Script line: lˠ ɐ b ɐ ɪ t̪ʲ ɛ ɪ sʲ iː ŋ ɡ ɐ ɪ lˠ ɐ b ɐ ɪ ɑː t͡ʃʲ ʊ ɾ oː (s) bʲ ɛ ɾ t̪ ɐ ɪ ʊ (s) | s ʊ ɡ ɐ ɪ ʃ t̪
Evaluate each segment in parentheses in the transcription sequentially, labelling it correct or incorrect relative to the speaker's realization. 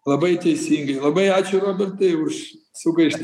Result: incorrect, incorrect

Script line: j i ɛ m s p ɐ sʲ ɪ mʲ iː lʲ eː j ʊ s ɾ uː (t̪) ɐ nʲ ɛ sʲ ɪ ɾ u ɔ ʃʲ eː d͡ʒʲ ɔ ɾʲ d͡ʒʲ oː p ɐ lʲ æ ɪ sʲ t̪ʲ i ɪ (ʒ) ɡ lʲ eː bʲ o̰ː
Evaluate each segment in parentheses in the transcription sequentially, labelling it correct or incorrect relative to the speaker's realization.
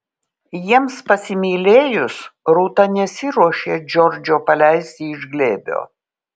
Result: correct, correct

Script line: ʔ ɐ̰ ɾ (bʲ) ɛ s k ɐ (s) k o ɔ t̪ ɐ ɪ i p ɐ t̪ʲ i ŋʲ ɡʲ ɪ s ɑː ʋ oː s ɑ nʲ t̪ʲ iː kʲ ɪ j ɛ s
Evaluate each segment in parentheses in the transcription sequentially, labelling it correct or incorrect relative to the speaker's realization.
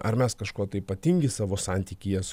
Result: incorrect, incorrect

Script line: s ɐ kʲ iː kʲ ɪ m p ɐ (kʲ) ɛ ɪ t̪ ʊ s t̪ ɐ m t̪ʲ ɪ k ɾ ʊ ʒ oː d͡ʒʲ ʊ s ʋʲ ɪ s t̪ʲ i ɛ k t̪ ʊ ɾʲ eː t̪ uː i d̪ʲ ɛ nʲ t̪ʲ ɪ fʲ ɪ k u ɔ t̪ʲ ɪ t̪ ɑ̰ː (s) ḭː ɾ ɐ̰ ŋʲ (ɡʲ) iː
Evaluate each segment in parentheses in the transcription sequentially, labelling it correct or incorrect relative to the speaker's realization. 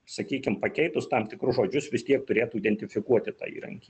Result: correct, incorrect, incorrect

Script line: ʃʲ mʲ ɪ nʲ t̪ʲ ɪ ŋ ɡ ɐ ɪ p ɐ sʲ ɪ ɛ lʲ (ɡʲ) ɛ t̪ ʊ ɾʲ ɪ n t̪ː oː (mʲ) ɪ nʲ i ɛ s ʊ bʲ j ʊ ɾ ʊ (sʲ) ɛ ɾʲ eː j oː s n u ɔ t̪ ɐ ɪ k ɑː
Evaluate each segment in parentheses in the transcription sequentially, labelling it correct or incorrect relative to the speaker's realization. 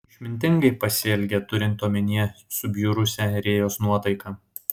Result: correct, correct, correct

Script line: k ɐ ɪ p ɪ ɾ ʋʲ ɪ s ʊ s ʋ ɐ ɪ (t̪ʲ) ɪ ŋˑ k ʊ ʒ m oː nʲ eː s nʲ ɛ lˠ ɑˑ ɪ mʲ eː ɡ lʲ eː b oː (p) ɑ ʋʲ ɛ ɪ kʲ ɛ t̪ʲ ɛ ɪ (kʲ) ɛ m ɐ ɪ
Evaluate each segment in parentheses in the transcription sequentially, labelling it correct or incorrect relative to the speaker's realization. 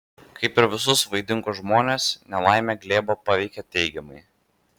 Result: incorrect, correct, incorrect

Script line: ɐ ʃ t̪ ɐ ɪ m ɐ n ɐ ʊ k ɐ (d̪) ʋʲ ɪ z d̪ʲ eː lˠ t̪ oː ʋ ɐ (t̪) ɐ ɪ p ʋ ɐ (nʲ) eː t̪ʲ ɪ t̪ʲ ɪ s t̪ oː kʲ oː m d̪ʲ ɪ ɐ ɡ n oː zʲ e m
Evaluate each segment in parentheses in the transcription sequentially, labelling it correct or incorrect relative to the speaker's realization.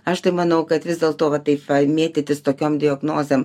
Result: incorrect, correct, incorrect

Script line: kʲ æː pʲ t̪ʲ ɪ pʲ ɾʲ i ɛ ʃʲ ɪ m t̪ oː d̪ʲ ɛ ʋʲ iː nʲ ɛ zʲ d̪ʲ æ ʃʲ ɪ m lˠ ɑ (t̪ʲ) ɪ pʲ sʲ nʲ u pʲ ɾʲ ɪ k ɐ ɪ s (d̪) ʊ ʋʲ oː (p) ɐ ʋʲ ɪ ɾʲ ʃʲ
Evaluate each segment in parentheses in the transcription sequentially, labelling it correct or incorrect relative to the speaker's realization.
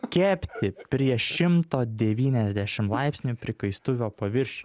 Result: incorrect, incorrect, correct

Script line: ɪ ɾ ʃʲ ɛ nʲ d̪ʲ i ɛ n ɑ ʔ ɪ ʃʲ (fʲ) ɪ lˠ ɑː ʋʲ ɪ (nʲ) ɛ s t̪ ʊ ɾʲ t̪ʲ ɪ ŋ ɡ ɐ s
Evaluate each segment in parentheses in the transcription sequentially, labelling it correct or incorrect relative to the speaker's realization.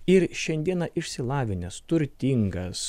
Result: incorrect, correct

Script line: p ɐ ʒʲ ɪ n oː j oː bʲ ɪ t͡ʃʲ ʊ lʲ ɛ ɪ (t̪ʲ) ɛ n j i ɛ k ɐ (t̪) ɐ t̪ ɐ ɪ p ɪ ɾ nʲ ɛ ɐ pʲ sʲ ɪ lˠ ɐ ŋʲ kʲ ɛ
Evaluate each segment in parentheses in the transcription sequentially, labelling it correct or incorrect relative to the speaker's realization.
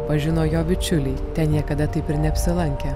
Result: correct, incorrect

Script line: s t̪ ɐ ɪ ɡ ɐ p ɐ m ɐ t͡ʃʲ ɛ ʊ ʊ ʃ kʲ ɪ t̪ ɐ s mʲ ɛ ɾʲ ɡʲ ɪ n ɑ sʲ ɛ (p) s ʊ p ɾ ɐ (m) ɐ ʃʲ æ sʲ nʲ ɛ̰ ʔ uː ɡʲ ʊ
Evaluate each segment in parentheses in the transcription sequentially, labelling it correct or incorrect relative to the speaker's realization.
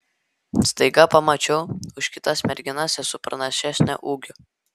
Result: incorrect, incorrect

